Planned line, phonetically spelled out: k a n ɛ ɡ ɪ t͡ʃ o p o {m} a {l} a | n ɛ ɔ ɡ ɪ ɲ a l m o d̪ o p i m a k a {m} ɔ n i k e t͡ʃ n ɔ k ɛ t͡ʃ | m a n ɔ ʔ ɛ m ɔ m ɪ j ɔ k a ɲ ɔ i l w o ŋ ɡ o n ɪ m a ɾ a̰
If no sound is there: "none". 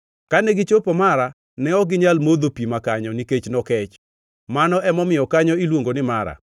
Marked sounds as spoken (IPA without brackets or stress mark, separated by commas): m, ɾ, ɲ